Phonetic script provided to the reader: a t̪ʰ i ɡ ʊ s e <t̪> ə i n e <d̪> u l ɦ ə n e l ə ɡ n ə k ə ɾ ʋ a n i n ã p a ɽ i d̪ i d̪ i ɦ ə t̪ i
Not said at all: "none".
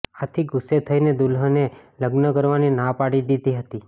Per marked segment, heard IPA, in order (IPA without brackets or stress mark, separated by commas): t̪ʰ, d̪